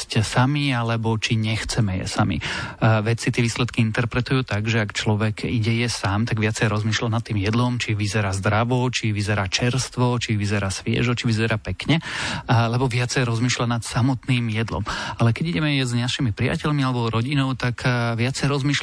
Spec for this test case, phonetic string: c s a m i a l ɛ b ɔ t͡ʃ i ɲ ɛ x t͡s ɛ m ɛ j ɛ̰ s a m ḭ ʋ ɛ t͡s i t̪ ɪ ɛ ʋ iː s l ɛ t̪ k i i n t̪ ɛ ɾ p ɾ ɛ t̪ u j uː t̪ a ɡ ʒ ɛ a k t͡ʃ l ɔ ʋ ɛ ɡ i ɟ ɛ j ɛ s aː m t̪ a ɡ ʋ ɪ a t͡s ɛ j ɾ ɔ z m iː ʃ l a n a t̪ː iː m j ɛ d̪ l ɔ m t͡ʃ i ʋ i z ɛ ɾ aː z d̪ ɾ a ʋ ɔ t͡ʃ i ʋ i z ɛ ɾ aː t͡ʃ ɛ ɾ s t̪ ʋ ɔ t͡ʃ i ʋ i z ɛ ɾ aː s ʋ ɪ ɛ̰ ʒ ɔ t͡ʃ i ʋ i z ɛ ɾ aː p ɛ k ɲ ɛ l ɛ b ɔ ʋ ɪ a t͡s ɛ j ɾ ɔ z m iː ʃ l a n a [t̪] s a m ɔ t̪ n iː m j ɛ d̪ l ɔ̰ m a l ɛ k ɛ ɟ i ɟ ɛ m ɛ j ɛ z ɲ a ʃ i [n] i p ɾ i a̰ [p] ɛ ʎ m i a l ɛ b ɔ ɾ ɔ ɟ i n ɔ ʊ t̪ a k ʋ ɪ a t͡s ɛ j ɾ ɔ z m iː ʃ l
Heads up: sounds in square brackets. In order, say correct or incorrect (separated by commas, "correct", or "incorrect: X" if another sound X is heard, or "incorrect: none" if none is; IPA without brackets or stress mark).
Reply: correct, incorrect: m, incorrect: c